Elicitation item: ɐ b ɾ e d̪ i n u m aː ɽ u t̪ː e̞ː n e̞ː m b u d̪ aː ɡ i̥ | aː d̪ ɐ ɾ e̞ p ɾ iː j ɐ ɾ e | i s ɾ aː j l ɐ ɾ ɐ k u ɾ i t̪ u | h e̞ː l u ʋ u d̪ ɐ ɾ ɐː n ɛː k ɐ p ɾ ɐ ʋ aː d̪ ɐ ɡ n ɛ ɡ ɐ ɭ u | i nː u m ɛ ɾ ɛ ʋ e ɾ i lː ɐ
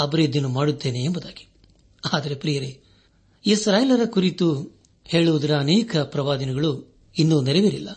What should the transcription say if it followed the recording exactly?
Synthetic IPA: ɐ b ɾ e d̪ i n u m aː ɽ u t̪ː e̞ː n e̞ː m b u d̪ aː ɡ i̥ | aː d̪ ɐ ɾ e̞ p ɾ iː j ɐ ɾ e | i s ɾ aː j l ɐ ɾ ɐ k u ɾ i t̪ u | h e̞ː ɭ u ʋ u d̪ ɐ ɾ ɐː n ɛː k ɐ p ɾ ɐ ʋ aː d̪ ɐ n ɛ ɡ ɐ ɭ u | i nː u n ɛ ɾ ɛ ʋ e ɾ i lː ɐ